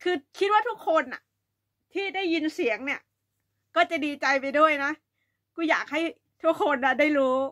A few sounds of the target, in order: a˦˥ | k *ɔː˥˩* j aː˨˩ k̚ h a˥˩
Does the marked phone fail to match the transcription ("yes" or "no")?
yes